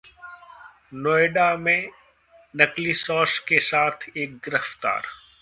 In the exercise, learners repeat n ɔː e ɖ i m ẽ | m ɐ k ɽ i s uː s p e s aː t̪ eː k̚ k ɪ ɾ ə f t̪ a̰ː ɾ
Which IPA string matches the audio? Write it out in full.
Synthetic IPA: n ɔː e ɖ a m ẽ | n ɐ k l i s ɔː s k e s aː t̪ʰ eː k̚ ɡ ɪ ɾ ə f t̪ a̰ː ɾ